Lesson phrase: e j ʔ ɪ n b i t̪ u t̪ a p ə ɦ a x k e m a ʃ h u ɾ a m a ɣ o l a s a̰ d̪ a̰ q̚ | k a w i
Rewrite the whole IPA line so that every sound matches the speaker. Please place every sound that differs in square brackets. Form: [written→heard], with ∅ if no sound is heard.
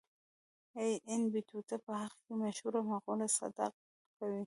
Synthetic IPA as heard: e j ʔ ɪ n b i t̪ u t̪ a p ə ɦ a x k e m a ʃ h u ɾ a m a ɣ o l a s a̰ d̪ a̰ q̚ | k a w i